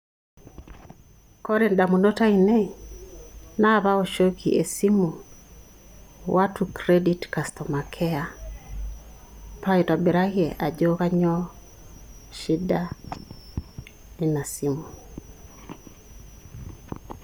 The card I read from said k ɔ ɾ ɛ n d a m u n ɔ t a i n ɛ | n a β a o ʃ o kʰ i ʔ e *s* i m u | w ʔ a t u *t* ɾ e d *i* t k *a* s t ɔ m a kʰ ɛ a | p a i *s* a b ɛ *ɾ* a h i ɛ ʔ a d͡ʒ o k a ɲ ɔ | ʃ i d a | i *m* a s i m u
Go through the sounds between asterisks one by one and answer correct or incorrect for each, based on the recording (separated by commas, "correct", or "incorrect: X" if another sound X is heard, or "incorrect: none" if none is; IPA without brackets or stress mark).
correct, incorrect: k, correct, correct, incorrect: t, correct, incorrect: n